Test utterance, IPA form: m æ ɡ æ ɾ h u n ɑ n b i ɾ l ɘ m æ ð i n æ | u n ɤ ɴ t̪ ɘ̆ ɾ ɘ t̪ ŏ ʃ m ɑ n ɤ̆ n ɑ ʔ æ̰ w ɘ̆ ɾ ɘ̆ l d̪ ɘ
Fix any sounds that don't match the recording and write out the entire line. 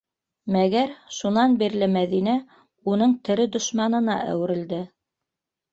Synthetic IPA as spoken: m æ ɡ æ ɾ ʃ u n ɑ n b i ɾ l ɘ m æ ð i n æ | u n ɤ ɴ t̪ ɘ̆ ɾ ɘ d̪ ŏ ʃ m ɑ n ɤ̆ n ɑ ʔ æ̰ w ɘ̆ ɾ ɘ̆ l d̪ ɘ